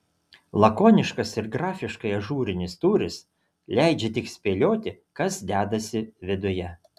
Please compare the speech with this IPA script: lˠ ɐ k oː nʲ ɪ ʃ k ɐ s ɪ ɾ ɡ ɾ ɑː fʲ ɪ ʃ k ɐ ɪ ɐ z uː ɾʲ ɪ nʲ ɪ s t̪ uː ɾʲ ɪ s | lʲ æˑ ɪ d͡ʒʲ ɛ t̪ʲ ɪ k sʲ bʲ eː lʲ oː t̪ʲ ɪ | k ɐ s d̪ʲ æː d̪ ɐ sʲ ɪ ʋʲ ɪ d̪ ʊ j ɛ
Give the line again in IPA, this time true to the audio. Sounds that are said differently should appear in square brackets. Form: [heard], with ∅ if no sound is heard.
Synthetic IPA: lˠ ɐ k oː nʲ ɪ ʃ k ɐ s ɪ ɾ ɡ ɾ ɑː fʲ ɪ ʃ k ɐ ɪ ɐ [ʒ] uː ɾʲ ɪ nʲ ɪ s t̪ uː ɾʲ ɪ s | lʲ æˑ ɪ d͡ʒʲ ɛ t̪ʲ ɪ k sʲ [pʲ] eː lʲ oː t̪ʲ ɪ | k ɐ s d̪ʲ æː d̪ ɐ sʲ ɪ ʋʲ ɪ d̪ ʊ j ɛ